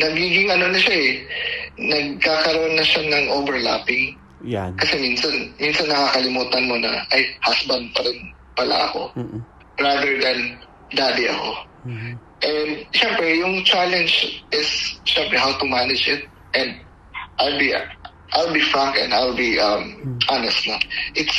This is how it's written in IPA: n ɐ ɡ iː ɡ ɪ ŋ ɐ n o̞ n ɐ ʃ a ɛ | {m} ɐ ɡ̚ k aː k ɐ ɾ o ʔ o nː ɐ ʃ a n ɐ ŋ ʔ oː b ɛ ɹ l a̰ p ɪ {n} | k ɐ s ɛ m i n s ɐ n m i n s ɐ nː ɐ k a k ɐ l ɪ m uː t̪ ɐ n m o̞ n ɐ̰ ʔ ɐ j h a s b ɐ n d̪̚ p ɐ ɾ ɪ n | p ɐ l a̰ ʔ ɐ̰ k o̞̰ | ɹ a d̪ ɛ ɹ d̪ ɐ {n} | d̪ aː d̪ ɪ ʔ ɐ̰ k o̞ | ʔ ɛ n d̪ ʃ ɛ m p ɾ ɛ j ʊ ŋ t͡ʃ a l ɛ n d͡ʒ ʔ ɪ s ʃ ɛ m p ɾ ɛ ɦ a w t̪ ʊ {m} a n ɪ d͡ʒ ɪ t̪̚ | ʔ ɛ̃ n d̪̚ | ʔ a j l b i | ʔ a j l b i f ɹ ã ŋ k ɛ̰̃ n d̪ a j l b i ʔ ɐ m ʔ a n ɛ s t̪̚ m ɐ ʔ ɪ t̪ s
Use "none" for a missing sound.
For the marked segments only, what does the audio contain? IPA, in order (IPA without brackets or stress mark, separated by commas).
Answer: n, ŋ, n, m